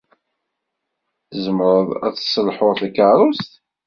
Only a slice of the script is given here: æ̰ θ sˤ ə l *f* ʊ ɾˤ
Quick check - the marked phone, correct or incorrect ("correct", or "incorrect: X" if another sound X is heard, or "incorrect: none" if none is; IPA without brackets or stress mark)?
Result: incorrect: ħ